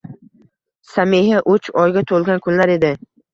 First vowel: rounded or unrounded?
unrounded